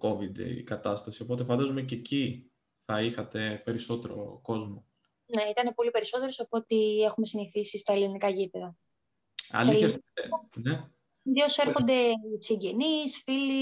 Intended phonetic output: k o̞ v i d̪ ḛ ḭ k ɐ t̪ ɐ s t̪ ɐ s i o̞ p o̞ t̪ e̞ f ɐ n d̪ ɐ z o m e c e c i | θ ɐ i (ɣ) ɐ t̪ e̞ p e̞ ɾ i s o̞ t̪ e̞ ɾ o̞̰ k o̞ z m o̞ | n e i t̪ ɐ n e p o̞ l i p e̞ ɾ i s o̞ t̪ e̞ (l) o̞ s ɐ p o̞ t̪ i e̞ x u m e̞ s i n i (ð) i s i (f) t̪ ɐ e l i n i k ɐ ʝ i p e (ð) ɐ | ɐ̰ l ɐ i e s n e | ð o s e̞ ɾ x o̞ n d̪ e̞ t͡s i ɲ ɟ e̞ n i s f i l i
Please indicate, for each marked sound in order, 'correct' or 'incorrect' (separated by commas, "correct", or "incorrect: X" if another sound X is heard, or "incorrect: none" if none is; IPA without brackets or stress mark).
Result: incorrect: x, incorrect: ɾ, incorrect: θ, incorrect: s, correct